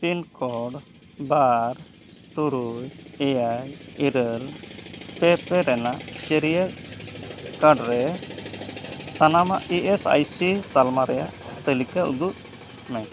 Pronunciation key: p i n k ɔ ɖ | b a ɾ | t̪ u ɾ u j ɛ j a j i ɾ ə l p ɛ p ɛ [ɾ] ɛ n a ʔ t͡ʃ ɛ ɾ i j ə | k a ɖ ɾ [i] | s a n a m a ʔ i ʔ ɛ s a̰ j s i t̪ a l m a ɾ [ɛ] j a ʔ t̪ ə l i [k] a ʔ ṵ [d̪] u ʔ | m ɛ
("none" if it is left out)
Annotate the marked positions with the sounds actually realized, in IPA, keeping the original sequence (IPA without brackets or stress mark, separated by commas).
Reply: ɾ, ɛ, ɛ, k, d̪